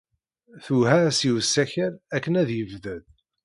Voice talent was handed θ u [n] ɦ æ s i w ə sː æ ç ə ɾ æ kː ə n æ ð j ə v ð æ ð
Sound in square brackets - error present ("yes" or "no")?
yes